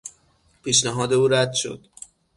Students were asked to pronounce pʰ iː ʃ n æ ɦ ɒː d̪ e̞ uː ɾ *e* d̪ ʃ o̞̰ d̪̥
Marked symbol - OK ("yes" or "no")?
no